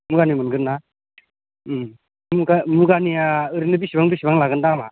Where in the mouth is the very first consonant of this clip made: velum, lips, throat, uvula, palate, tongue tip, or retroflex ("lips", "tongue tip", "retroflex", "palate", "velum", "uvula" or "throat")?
lips